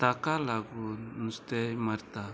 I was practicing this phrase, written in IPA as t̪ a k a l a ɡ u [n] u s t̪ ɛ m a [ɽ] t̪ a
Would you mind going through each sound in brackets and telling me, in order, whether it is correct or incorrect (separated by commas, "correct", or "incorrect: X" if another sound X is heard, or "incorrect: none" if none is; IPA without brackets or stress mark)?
correct, incorrect: ɾ